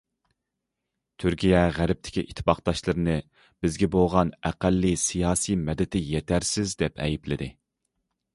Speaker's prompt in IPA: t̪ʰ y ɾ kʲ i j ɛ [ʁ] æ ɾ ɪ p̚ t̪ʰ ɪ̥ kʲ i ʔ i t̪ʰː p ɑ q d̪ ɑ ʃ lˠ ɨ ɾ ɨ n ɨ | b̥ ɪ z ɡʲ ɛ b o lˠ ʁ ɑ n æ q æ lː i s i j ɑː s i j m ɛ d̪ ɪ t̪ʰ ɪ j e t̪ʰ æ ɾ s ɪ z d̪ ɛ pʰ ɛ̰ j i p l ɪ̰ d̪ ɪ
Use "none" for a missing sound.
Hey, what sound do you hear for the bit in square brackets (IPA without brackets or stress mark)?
ʁ